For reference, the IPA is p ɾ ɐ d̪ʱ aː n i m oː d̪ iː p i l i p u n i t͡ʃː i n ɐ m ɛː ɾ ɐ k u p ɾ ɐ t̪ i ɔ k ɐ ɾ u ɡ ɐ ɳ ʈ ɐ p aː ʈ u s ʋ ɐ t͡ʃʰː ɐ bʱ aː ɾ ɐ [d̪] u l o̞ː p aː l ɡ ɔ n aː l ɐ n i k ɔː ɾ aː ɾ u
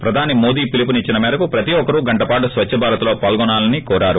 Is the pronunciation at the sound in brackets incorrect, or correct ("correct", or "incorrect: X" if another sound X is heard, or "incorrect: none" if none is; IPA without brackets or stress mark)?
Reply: incorrect: t̪